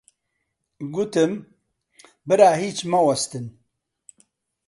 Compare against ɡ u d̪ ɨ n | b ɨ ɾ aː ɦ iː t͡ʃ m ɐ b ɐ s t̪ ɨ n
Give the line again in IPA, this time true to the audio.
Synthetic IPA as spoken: ɡ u t̪ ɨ m | b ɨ ɾ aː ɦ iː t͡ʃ m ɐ w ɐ s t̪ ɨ n